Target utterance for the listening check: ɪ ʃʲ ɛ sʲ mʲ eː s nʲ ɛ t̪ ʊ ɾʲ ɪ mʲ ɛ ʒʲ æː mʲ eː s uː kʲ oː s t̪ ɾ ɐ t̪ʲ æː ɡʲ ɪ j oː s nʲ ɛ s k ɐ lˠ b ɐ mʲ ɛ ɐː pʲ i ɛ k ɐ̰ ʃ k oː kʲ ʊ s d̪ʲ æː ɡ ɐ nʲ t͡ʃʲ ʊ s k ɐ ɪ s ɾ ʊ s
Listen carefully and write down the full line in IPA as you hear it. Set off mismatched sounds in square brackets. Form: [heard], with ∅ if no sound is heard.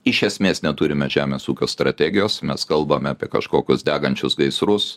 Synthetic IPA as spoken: ɪ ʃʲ ɛ sʲ mʲ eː s nʲ ɛ t̪ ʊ ɾʲ ɪ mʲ ɛ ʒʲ æː mʲ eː s uː kʲ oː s t̪ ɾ ɐ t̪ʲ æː ɡʲ ɪ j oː s [mʲ] ɛ s k ɐ lˠ b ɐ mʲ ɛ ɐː pʲ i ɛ k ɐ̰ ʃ k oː kʲ ʊ s d̪ʲ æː ɡ ɐ nʲ t͡ʃʲ ʊ s [ɡ] ɐ ɪ s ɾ ʊ s